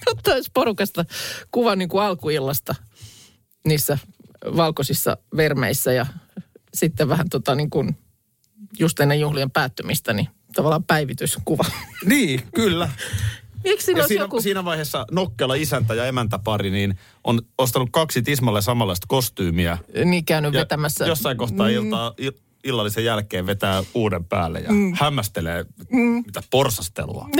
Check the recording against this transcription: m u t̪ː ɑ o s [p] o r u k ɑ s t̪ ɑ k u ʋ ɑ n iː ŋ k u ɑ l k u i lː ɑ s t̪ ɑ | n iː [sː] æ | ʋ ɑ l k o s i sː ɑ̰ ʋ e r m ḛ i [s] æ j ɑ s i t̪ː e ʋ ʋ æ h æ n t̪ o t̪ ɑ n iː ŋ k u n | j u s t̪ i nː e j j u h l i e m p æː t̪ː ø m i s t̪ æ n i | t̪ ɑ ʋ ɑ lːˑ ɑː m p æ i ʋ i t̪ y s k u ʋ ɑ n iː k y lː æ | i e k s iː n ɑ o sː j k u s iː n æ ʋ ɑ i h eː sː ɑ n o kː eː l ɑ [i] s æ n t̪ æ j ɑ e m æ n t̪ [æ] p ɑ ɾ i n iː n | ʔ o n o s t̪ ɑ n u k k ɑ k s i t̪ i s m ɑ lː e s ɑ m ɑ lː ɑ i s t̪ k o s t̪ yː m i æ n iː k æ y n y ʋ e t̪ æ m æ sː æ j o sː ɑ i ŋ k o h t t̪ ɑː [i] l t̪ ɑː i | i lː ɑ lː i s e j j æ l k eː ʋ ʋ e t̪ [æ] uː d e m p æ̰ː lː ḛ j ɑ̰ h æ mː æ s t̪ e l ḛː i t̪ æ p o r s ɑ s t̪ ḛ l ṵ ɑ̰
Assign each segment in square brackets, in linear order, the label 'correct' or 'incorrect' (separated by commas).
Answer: correct, correct, incorrect, correct, correct, correct, incorrect